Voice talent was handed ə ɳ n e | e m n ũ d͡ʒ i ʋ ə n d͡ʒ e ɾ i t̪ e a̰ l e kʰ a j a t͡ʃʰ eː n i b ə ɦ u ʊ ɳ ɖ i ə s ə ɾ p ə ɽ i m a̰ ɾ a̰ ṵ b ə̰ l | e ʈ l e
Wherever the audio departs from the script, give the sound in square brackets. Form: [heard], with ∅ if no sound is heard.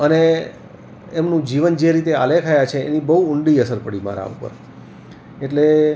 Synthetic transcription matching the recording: ə [∅] n e | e m n ũ d͡ʒ i ʋ ə n d͡ʒ e ɾ i t̪ e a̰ l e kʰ a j a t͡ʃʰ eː n i b ə ɦ u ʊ ɳ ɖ i ə s ə ɾ p ə ɽ i m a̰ ɾ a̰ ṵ [p] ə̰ [ɾ] | e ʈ l e

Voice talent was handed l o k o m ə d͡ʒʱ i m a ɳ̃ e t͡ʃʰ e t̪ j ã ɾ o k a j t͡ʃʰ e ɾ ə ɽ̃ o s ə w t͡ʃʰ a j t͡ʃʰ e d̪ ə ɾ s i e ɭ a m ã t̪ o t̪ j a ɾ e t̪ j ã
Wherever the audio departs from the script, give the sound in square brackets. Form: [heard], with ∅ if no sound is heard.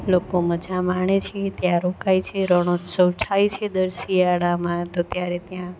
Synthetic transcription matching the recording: l o k o m ə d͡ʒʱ [a] m a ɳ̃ e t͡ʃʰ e t̪ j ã ɾ o k a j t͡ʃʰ e ɾ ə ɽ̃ o s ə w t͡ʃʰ a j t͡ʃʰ e d̪ ə ɾ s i [a] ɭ a m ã t̪ o t̪ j a ɾ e t̪ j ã

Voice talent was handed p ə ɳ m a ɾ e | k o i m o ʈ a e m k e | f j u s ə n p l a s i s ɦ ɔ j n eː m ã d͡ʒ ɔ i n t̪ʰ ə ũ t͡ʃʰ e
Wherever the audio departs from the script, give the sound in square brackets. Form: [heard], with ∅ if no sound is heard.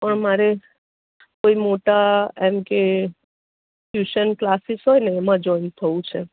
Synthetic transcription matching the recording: p ə ɳ m a ɾ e | k o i m o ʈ a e m k e | f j u [ʃ] ə n [k] l a s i s ɦ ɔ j n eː m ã d͡ʒ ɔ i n t̪ʰ ə ũ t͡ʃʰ e

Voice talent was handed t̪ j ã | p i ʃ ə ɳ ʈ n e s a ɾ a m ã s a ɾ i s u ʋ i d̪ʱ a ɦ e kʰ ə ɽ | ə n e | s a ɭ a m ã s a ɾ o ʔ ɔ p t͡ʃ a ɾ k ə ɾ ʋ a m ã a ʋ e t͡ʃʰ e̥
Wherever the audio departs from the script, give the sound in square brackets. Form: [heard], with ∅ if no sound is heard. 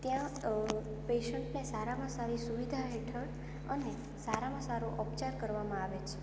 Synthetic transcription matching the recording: t̪ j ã | p [e] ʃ ə ɳ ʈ n e s a ɾ a m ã s a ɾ i s u ʋ i d̪ʱ a ɦ e [ʈʰ] ə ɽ | ə n e | s a [ɾ] a m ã s a ɾ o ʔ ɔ p t͡ʃ a ɾ k ə ɾ ʋ a m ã a ʋ e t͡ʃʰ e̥

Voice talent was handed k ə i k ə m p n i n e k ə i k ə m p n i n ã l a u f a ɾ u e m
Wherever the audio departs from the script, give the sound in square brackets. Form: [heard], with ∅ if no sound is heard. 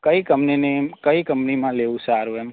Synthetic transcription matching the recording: k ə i k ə m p n i n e k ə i k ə m p n i [m] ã l [e] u [s] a ɾ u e m

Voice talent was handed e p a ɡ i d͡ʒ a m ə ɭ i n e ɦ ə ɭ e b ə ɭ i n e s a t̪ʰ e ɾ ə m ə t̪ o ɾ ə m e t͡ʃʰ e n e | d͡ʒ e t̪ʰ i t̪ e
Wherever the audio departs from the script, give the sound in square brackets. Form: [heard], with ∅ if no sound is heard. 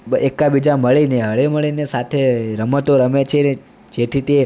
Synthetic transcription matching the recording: e [k] a [b] i d͡ʒ a m ə ɭ i n e ɦ ə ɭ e [m] ə ɭ i n e s a t̪ʰ e ɾ ə m ə t̪ o ɾ ə m e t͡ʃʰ e n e | d͡ʒ e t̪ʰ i t̪ e

